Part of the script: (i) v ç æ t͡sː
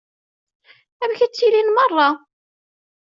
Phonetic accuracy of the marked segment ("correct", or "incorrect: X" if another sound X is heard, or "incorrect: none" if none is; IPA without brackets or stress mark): incorrect: æ